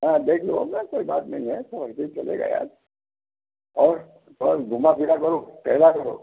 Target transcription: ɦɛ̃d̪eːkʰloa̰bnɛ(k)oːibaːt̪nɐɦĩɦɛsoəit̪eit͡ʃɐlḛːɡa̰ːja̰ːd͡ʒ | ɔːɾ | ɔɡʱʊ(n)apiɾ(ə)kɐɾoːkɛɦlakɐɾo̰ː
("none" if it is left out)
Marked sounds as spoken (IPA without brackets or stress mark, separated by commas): k, m, a